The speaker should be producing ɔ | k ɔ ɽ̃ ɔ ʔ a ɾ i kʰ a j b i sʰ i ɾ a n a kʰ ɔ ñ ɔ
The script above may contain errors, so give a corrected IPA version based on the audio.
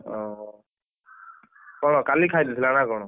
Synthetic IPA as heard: ɔ | k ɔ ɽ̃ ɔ k a l i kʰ a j d i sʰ i l a n a k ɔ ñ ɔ